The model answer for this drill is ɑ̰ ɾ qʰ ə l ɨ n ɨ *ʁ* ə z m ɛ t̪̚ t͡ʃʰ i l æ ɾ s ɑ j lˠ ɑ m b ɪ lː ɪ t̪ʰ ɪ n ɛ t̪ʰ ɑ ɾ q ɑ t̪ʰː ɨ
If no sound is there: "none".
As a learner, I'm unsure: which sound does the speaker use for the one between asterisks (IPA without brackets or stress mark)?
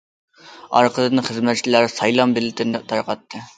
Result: χ